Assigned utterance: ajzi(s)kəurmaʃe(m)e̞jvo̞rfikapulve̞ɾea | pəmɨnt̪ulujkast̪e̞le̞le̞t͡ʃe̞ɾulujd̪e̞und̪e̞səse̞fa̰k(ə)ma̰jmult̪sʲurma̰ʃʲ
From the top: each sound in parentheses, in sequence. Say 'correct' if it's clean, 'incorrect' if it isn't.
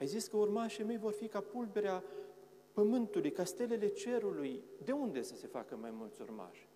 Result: correct, correct, correct

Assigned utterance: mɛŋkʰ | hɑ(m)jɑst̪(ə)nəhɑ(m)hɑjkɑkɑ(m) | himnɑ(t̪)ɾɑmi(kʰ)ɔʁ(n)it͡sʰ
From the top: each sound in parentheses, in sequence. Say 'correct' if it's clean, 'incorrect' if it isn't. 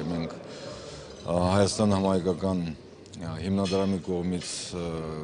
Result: incorrect: none, incorrect: ɑ, correct, incorrect: n, incorrect: d̪, incorrect: k, incorrect: m

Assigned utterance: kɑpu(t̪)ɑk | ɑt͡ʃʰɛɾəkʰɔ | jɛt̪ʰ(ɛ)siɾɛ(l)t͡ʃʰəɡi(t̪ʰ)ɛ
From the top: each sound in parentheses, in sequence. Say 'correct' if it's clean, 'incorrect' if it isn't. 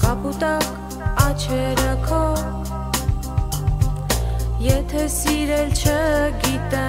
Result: correct, correct, correct, incorrect: t̪

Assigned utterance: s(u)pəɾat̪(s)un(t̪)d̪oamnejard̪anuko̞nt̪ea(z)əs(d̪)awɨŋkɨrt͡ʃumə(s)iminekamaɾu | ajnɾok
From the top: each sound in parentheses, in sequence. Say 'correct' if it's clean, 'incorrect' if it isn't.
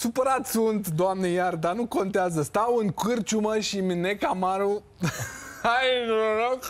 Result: correct, correct, correct, correct, incorrect: t̪, incorrect: ʃ

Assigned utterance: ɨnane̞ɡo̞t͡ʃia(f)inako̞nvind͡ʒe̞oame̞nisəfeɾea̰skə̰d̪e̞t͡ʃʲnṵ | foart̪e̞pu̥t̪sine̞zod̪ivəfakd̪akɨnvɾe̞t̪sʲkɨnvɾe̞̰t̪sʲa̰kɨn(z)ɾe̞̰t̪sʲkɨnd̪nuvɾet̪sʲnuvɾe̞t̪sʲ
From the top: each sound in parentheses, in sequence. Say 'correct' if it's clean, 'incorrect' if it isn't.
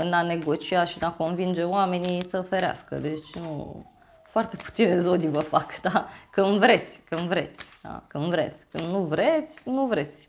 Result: incorrect: ʃ, incorrect: v

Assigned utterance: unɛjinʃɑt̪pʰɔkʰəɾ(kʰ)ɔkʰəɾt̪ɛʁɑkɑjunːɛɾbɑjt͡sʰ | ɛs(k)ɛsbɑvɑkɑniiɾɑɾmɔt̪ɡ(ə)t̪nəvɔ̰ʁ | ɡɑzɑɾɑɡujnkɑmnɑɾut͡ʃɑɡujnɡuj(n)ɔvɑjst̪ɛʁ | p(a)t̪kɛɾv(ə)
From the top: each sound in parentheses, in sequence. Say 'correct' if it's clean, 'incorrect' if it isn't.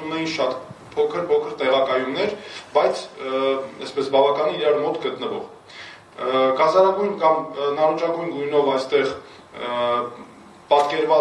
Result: incorrect: pʰ, incorrect: p, correct, correct, incorrect: ɑ, incorrect: ɑ

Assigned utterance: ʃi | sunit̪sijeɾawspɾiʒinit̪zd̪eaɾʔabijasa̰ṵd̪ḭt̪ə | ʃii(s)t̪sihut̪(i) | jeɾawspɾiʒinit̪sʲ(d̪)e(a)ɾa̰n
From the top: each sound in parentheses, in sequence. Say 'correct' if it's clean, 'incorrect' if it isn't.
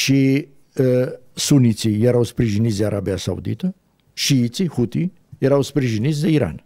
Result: incorrect: none, correct, correct, incorrect: i

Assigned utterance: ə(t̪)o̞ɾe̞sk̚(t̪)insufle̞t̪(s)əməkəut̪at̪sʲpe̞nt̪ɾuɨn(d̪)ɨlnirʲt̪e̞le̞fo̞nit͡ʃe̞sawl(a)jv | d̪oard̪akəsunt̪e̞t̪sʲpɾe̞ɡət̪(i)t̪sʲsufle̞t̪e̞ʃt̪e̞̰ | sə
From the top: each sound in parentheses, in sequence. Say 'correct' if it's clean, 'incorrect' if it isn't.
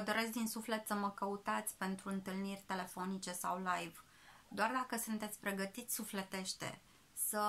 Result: incorrect: d̪, incorrect: d̪, correct, incorrect: t̪, correct, correct

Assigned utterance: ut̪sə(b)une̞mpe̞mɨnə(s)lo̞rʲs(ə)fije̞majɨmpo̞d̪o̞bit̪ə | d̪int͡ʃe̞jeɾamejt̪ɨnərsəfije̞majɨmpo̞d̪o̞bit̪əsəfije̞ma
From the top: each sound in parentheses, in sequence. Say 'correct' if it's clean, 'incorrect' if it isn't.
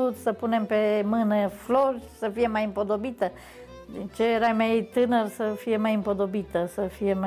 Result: incorrect: p, incorrect: f, correct

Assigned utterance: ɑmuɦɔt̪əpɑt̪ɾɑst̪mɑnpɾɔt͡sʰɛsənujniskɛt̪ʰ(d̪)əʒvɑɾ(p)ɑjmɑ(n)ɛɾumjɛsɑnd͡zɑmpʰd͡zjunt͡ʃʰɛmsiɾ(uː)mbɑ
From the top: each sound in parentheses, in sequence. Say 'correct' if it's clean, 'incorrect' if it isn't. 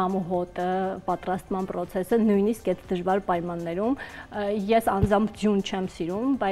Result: correct, correct, incorrect: nː, incorrect: u

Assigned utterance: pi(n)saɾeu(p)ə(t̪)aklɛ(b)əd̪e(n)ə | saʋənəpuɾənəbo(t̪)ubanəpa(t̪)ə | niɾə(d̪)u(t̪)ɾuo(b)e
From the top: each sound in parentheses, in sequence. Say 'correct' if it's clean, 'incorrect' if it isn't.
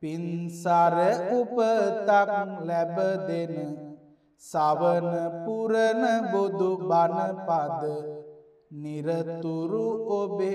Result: correct, correct, correct, correct, correct, incorrect: d̪, incorrect: d̪, incorrect: t̪, incorrect: none, correct

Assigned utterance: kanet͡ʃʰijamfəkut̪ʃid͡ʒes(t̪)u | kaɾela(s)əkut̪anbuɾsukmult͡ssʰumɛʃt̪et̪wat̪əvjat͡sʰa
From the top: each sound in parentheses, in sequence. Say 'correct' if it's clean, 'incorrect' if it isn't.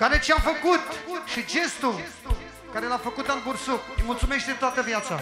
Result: correct, incorrect: f

